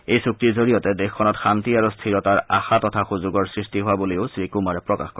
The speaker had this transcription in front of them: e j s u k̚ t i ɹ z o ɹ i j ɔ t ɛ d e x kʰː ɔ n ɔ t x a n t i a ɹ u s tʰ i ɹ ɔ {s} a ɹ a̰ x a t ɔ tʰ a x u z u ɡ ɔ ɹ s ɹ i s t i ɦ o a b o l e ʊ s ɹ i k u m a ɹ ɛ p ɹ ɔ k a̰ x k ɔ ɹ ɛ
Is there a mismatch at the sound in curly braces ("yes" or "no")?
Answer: yes